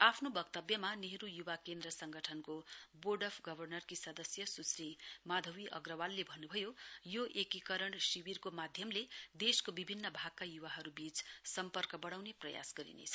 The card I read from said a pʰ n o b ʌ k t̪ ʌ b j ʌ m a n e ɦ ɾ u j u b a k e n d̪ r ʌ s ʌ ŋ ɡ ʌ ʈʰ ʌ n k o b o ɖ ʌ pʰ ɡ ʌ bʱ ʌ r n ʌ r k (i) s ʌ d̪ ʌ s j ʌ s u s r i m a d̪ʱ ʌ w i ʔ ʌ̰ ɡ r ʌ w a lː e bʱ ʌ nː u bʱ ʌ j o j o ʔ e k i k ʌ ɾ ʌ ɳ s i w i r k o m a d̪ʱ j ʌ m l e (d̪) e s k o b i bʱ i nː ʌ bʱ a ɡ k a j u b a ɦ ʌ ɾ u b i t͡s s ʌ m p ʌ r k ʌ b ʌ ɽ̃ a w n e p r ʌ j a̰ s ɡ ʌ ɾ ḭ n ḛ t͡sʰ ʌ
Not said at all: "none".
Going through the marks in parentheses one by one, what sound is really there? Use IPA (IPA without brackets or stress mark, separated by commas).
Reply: i, d̪